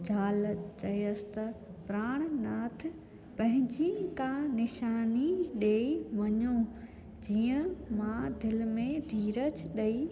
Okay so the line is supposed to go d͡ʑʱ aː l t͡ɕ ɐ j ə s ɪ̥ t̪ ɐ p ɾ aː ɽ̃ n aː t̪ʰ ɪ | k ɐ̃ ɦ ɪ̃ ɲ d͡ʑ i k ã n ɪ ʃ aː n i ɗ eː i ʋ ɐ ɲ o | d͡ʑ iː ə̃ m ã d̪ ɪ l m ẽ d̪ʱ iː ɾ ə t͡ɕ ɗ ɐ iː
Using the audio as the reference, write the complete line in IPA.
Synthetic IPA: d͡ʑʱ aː l t͡ɕ ɐ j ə s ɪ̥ t̪ ɐ p ɾ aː ɽ̃ n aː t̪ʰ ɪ | p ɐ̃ ɦ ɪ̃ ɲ d͡ʑ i k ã n ɪ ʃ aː n i ɗ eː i ʋ ɐ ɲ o | d͡ʑ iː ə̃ m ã d̪ ɪ l m ẽ d̪ʱ iː ɾ ə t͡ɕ ɗ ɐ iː

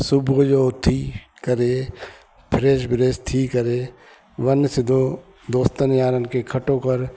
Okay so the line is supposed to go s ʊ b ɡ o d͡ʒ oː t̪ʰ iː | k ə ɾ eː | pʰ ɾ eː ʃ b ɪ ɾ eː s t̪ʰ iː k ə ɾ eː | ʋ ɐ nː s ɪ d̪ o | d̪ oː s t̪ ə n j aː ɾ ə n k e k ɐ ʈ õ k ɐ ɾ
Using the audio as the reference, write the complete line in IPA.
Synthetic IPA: s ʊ b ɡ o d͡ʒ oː t̪ʰ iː | k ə ɾ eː | pʰ ɾ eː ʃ b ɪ ɾ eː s t̪ʰ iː k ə ɾ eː | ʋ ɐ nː s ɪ d̪ o | d̪ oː s t̪ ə n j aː ɾ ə n k e kʰ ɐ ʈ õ k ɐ ɾ

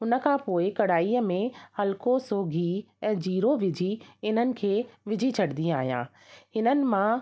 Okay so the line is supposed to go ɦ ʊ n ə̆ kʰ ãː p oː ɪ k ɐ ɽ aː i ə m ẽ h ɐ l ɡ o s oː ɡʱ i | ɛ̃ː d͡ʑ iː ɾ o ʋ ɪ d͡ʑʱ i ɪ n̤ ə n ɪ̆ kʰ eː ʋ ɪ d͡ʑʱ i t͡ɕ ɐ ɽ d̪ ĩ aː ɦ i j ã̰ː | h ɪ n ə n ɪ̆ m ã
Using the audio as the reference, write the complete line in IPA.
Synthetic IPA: ɦ ʊ n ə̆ kʰ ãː p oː ɪ k ɐ ɽ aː i ə m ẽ h ɐ l k o s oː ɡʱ i | ɛ̃ː d͡ʑ iː ɾ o ʋ ɪ d͡ʑʱ i ɪ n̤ ə n ɪ̆ kʰ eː ʋ ɪ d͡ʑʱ i t͡ɕʰ ɐ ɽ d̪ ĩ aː ɦ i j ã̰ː | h ɪ n ə n ɪ̆ m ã

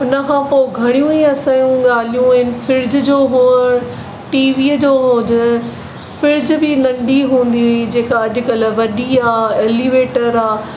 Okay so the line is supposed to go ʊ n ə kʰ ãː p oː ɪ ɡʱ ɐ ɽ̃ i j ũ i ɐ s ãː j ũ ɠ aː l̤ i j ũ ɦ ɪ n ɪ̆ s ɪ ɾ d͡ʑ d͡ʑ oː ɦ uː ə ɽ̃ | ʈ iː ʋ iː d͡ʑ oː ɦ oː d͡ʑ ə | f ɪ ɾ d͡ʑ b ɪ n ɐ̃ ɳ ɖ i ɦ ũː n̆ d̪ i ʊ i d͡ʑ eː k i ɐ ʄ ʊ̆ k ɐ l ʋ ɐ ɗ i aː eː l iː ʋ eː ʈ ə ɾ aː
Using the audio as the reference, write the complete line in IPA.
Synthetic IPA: ʊ n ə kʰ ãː p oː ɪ ɡʱ ɐ ɽ̃ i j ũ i ɐ s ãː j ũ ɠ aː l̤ i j ũ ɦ ɪ n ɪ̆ f ɪ ɾ d͡ʑ d͡ʑ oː ɦ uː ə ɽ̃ | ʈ iː ʋ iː d͡ʑ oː ɦ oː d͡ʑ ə | f ɪ ɾ d͡ʑ b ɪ n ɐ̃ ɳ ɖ i ɦ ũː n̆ d̪ i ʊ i d͡ʑ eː k a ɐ ʄ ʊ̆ k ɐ l ʋ ɐ ɗ i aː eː l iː ʋ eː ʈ ə ɾ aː

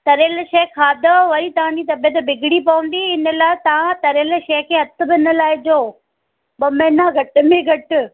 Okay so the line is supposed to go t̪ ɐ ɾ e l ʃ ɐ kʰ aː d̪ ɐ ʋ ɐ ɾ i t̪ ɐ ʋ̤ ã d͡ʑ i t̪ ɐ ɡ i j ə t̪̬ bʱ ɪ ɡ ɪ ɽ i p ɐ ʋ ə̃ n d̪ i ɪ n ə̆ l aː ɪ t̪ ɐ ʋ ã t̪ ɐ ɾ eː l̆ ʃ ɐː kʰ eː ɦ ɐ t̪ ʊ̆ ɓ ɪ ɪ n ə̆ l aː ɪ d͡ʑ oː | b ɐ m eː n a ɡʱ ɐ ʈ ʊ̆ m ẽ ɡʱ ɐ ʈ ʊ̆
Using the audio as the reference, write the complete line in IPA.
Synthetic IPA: t̪ ɐ ɾ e l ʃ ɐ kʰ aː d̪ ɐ ʋ ɐ ɾ i t̪ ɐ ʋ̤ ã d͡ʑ i t̪ ɐ b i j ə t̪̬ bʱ ɪ ɡ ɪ ɽ i p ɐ ʋ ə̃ n d̪ i ɪ n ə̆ l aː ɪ t̪ ɐ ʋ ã t̪ ɐ ɾ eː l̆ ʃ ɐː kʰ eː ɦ ɐ t̪ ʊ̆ b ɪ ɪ n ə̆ l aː ɪ d͡ʑ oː | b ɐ m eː n a ɡʱ ɐ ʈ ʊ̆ m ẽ ɡʱ ɐ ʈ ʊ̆

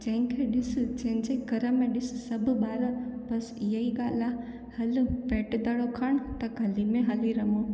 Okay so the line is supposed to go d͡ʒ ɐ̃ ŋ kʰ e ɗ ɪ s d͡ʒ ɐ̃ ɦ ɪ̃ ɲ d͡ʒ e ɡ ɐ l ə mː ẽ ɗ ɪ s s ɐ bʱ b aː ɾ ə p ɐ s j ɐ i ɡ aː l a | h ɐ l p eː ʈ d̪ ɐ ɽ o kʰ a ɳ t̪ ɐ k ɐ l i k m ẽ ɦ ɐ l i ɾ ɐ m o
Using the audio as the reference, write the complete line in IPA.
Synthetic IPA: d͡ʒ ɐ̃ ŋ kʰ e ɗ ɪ s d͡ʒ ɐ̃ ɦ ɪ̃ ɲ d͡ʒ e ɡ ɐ ɾ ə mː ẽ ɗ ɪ s s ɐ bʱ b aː ɾ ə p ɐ s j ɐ i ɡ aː l a | h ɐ l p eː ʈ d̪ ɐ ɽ o kʰ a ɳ t̪ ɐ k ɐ l i m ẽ ɦ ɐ l i ɾ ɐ m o

